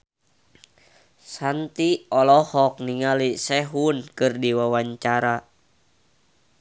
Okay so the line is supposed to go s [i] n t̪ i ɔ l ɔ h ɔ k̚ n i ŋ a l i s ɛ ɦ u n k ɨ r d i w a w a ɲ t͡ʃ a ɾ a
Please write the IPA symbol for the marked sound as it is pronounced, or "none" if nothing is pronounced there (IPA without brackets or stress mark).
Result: a